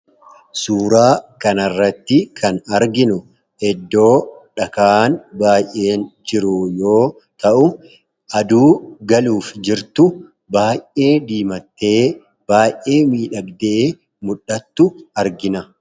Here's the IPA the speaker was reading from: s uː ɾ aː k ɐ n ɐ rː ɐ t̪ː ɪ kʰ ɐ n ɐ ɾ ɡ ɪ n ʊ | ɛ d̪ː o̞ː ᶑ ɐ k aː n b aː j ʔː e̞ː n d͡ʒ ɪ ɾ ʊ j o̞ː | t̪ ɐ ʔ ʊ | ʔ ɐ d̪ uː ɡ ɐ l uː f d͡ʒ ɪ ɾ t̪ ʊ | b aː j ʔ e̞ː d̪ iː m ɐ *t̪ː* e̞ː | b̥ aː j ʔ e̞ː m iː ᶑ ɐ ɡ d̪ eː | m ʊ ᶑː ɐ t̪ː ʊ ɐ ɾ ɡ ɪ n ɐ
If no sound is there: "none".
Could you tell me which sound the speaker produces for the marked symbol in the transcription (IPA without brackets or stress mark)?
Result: t̪ː